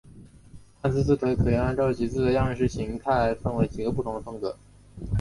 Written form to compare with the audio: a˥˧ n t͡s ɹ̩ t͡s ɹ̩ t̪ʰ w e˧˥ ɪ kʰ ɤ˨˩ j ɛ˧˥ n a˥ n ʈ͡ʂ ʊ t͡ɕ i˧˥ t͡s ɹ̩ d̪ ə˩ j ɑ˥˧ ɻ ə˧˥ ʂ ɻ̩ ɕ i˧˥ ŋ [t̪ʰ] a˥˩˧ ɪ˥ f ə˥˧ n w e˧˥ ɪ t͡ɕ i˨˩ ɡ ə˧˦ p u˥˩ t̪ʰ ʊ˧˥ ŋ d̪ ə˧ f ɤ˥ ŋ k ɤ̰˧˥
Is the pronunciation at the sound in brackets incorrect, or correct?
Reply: correct